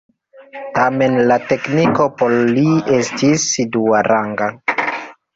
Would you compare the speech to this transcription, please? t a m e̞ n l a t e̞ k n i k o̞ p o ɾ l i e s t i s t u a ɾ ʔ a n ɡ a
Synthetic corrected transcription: t a m e̞ n l a t e̞ k n i k o̞ p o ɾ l i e s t i s d u a ɾ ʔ a ŋ ɡ a